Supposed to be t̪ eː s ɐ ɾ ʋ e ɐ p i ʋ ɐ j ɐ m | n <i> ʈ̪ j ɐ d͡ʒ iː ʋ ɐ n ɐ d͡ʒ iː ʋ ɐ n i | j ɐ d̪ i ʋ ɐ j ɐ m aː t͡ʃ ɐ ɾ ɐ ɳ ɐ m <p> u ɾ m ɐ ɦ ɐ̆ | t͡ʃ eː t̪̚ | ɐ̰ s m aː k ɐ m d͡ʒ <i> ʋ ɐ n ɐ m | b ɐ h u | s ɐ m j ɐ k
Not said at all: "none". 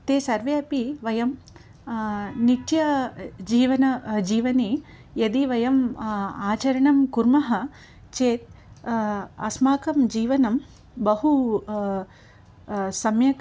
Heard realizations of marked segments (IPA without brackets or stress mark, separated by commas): i, k, iː